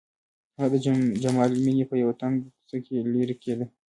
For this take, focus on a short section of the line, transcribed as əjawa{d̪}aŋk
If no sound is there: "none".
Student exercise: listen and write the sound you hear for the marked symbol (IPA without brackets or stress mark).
t̪